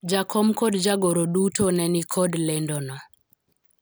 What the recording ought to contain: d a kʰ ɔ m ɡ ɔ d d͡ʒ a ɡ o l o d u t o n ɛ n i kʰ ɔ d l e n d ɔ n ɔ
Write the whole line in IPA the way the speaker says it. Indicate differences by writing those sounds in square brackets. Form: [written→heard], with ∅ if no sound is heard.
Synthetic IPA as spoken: [d→d͡ʒ] a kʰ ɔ m [ɡ→k] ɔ d d͡ʒ a ɡ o [l→ɾ] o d u t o n ɛ n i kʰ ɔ d l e n d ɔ n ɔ

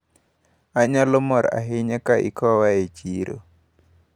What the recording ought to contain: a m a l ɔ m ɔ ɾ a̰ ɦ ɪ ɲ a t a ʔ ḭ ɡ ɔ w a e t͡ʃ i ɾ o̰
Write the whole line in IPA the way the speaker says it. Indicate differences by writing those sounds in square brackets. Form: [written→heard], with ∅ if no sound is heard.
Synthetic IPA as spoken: a [m→ɲ] a l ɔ m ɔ ɾ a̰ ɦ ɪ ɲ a [t→k] a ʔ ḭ [ɡ→k] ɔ w a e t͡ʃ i ɾ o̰

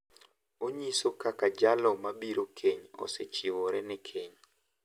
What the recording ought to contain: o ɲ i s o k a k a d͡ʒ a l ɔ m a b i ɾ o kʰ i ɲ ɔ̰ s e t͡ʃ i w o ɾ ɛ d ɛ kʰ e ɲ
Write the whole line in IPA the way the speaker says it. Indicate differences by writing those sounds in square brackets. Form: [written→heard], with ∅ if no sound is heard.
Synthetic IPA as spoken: o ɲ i s o k a k a d͡ʒ a l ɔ m a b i ɾ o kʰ [i→e] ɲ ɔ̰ s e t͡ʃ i w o ɾ ɛ [d→n] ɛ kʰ e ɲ

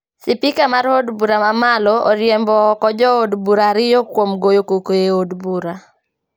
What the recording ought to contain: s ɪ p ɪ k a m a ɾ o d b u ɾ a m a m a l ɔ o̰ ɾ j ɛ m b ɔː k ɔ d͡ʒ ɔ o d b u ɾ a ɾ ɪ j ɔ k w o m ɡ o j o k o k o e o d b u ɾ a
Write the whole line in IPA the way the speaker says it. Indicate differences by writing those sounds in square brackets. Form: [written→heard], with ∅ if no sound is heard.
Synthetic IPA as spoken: s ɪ p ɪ k a m a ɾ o d b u ɾ a m a m a l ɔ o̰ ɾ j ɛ m b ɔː k ɔ d͡ʒ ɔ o d b u ɾ a ɾ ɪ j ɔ k w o m ɡ o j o k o k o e o d b u ɾ a

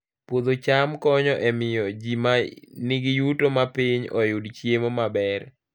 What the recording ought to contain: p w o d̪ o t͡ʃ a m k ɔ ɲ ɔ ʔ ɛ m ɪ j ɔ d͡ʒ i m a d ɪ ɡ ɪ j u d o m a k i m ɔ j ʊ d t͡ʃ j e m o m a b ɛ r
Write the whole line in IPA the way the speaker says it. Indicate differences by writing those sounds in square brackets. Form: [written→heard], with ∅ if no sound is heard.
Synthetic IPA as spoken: p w o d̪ o t͡ʃ a m k ɔ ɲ ɔ ʔ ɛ m ɪ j ɔ d͡ʒ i m a [d→n] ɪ ɡ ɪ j u [d→t] o m a [k→p] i [m→ɲ] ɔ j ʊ d t͡ʃ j e m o m a b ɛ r

